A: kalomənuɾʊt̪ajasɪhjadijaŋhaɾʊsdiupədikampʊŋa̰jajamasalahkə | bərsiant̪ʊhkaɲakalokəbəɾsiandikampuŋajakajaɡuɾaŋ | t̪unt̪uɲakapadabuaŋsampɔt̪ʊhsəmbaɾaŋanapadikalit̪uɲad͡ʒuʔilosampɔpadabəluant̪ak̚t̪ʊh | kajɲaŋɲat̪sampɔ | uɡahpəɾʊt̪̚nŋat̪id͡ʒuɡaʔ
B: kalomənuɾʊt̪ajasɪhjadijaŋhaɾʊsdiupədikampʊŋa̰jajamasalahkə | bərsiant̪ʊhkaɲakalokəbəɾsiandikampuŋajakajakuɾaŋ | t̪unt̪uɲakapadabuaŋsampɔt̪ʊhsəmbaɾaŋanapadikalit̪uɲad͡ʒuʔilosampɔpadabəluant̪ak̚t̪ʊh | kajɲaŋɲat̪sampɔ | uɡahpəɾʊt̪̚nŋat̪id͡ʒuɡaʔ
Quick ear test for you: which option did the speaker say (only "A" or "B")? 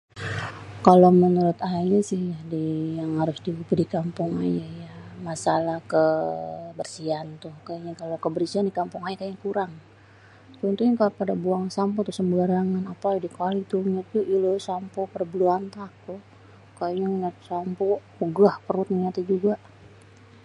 B